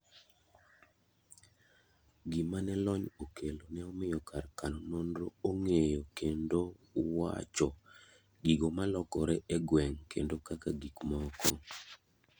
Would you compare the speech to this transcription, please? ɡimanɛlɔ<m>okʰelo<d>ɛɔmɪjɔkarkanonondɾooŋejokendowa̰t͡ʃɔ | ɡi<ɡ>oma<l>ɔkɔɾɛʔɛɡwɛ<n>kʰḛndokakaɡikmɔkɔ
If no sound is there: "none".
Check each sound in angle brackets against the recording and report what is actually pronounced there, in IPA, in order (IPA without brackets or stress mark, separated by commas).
ɲ, n, ɡ, l, ŋ